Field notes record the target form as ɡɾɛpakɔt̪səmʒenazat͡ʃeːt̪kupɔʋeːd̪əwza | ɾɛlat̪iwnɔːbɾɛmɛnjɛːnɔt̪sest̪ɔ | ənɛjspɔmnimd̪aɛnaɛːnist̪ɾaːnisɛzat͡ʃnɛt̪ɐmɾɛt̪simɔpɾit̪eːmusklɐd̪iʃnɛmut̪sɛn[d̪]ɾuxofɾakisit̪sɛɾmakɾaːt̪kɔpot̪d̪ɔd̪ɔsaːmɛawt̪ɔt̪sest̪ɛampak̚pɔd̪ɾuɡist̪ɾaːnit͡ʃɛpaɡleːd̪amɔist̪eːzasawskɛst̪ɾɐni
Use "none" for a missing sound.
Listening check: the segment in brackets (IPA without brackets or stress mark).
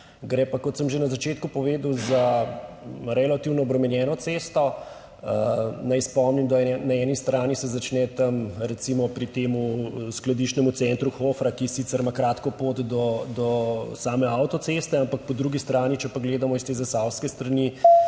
t̪